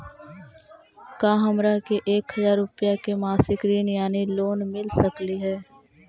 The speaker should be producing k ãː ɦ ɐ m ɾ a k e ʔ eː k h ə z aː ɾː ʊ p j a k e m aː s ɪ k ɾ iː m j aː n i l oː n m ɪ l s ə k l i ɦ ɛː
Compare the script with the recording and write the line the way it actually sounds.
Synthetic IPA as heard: k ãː ɦ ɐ m ɾ a k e ʔ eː k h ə z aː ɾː ʊ p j a k e m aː s ɪ k ɾ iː n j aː n i l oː n m ɪ l s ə k l i ɦ ɛː